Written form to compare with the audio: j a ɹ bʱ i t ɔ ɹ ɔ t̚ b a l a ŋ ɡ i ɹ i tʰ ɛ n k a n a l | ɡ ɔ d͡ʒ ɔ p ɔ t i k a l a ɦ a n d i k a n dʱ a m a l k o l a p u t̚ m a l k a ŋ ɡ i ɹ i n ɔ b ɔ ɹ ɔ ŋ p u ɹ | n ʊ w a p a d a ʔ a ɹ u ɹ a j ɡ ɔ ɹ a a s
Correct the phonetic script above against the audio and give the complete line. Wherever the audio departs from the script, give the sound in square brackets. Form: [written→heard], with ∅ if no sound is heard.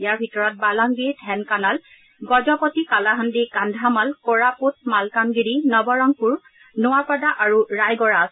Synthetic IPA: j a ɹ bʱ i t ɔ ɹ ɔ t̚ b a l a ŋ ɡ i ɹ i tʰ ɛ n k a n a l | ɡ ɔ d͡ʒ ɔ p ɔ t i k a l a ɦ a n d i k a n dʱ a m a l k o [l→ɹ] a p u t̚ m a l k a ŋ ɡ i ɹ i n ɔ b ɔ ɹ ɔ ŋ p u ɹ | n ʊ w a p a d a ʔ a ɹ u ɹ a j ɡ ɔ ɹ a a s